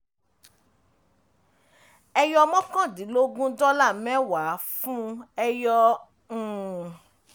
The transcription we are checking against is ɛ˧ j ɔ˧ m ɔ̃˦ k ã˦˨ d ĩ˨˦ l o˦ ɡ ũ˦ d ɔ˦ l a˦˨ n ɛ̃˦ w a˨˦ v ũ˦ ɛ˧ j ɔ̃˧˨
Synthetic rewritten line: ɛ˧ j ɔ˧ m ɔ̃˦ k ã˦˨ d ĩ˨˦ l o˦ ɡ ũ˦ d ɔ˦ l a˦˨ m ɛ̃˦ w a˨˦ f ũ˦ ɛ˧ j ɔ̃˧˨